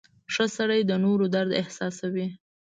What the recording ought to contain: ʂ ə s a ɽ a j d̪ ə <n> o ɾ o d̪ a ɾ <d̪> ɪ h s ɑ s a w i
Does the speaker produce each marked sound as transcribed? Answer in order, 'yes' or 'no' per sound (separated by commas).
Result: yes, yes